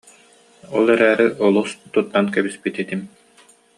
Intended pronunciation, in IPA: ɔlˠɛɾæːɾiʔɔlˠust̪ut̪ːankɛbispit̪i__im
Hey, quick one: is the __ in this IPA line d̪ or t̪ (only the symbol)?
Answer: t̪